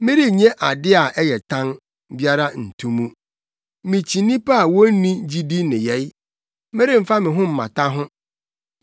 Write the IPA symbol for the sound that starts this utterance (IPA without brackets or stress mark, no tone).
m